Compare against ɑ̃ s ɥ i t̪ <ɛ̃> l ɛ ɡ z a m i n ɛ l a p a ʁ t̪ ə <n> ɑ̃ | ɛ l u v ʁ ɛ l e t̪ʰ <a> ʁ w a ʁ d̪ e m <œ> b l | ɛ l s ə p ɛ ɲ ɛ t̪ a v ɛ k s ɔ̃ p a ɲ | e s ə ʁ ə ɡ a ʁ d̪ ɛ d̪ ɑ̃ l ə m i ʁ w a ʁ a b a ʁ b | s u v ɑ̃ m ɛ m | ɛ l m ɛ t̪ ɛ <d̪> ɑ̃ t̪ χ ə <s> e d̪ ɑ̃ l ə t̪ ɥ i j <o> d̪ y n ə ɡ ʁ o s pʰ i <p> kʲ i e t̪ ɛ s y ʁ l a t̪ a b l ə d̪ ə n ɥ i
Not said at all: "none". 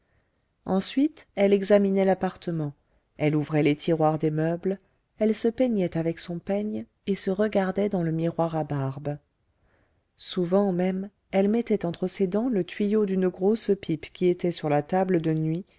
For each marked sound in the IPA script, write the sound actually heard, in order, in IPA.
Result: ɛ, m, i, œ, t̪, s, o, p

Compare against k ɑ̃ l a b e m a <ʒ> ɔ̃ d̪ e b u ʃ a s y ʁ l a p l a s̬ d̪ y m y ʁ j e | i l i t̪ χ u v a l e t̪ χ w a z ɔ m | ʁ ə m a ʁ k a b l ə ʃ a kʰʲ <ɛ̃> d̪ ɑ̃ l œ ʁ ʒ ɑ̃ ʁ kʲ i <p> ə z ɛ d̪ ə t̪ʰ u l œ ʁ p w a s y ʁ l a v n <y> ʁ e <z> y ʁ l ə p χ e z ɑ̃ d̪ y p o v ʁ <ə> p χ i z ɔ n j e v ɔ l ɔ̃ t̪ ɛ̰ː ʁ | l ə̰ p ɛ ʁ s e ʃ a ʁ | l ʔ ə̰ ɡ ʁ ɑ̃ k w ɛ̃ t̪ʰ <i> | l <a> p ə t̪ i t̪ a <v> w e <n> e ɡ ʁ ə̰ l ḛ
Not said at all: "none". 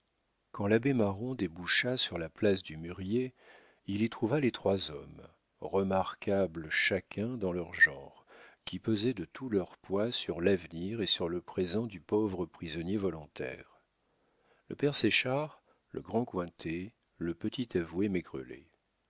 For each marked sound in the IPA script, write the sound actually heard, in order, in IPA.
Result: ʁ, ɛ̃, p, i, s, ə, e, ə, v, m

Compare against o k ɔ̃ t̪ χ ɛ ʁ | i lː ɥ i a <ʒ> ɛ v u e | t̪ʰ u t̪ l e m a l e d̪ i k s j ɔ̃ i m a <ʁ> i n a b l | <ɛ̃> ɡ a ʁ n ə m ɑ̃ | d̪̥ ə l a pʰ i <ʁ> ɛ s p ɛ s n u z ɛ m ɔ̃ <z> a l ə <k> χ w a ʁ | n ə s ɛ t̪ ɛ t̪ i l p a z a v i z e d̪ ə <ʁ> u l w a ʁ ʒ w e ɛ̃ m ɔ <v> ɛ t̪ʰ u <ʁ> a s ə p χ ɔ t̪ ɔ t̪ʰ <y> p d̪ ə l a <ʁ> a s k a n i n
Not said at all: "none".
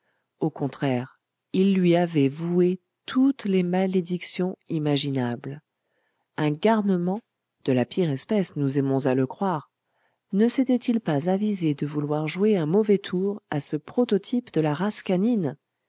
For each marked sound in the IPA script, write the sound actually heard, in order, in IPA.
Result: v, ʒ, ɛ̃, ʁ, z, k, v, v, ʁ, i, ʁ

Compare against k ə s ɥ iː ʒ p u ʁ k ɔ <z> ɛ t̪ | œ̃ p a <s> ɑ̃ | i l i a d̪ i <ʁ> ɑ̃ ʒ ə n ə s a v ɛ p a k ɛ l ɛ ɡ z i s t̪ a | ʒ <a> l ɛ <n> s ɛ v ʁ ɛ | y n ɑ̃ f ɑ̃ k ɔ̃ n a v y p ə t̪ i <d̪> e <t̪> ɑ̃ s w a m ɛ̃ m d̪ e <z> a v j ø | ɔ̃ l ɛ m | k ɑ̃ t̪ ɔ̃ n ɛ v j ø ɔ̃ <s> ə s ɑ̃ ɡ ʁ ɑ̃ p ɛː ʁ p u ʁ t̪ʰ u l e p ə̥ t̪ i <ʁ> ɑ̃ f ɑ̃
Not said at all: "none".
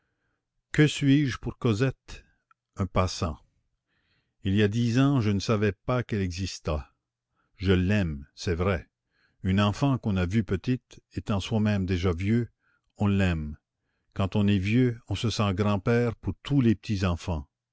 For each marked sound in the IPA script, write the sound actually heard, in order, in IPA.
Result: z, s, z, ə, m, t̪, t̪, ʒ, s, z

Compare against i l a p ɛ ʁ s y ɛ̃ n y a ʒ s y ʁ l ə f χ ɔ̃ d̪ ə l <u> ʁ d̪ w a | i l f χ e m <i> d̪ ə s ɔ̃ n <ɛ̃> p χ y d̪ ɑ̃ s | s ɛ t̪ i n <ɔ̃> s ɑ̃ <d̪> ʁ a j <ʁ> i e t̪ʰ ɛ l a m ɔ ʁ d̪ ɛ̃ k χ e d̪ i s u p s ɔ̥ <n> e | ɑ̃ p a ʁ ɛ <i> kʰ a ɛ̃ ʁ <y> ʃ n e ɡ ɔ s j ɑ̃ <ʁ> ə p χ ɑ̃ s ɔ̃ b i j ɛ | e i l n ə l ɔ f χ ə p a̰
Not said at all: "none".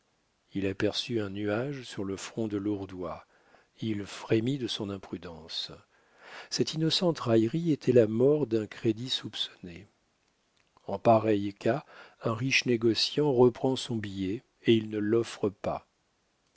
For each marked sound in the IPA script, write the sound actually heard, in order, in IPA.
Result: u, i, ɛ̃, ɔ, t̪, ʁ, n, j, i, ʁ

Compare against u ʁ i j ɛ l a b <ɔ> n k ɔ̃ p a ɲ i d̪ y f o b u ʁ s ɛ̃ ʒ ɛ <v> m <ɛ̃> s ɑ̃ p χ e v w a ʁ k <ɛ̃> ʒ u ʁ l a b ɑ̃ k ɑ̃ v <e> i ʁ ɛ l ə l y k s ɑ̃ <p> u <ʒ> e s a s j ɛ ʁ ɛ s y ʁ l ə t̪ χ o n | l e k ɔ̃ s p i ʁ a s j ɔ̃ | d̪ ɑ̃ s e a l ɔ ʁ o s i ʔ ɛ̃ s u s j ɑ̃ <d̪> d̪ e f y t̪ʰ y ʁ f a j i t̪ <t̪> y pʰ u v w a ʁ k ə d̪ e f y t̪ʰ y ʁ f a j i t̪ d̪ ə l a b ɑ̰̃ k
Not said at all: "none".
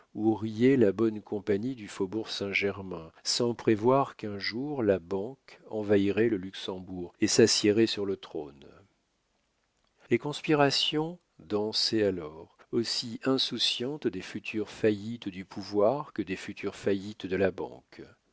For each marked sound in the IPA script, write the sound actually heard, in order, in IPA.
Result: ɔ, ʁ, ɛ̃, ɛ̃, a, b, ʁ, t̪, d̪

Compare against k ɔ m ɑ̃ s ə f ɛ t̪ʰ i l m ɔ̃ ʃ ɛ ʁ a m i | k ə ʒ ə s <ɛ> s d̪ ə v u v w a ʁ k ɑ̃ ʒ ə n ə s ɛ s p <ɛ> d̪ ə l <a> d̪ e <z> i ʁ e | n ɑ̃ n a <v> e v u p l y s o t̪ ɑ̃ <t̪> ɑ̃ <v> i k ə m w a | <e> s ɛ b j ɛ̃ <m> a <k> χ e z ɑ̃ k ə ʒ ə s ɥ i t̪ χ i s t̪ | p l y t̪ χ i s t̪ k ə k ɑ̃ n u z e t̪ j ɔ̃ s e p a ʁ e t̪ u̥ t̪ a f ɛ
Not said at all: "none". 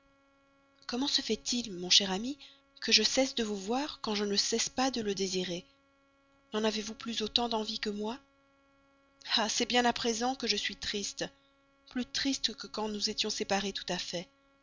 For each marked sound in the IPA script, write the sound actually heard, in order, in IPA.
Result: ɛ, a, ə, z, v, d̪, v, a, n, p

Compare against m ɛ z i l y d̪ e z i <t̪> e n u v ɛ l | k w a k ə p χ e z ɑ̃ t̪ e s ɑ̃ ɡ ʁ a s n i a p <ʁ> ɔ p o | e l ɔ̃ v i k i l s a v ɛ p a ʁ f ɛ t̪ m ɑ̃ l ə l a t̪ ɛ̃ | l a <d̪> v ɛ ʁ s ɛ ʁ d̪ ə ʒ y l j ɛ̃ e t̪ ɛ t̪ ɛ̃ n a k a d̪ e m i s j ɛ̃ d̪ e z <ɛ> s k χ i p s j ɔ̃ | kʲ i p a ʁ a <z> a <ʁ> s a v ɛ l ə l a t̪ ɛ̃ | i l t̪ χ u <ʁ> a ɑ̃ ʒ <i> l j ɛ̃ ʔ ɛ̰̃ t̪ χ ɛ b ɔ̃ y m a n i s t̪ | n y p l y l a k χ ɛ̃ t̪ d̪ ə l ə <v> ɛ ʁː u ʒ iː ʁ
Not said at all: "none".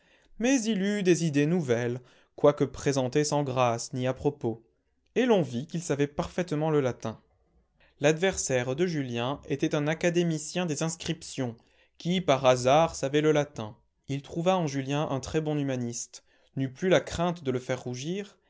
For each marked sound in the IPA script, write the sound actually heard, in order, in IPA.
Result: d̪, χ, d̪, ɛ̃, z, ʁ, v, y, f

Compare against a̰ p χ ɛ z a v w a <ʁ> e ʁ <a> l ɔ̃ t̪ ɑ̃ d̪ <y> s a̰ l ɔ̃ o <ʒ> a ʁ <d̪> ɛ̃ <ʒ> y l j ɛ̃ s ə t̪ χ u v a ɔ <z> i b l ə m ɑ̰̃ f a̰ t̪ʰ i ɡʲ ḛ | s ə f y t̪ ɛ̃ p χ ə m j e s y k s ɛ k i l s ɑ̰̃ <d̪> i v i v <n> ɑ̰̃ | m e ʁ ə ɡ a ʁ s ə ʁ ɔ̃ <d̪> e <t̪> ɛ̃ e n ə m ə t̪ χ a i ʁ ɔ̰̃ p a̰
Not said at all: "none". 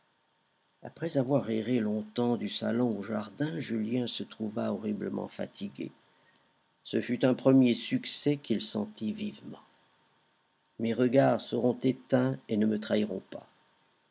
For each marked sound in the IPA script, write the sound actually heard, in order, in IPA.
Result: ʁ, e, y, ʒ, d̪, ʒ, ʁ, t̪, m, t̪, t̪

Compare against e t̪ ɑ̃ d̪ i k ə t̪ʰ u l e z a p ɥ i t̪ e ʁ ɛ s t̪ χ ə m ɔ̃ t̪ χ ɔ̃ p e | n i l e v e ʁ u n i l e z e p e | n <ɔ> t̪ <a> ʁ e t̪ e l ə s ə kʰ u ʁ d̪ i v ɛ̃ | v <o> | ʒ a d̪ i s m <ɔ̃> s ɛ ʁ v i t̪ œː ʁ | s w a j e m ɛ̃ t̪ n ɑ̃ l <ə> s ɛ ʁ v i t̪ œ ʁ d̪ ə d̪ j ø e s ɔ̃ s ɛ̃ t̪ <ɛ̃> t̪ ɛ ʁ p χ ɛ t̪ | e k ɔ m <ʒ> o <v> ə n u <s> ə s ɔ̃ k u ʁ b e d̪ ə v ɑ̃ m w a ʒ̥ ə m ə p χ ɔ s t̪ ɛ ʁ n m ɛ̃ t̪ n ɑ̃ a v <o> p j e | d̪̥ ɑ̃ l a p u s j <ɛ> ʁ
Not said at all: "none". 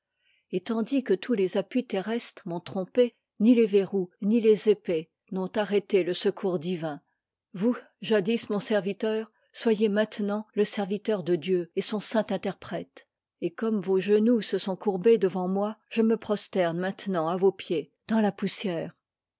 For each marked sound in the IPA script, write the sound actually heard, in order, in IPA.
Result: ɔ̃, a, u, ɔ̃, ə, ɛ̃, v, ʒ, s, o, ɛː

